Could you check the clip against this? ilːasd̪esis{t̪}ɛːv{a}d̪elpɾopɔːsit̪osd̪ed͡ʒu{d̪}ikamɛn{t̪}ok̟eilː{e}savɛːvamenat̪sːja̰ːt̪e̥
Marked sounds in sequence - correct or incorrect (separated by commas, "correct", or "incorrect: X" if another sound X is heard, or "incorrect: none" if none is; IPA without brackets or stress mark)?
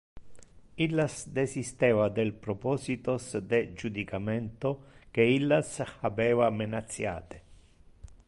correct, correct, correct, correct, incorrect: a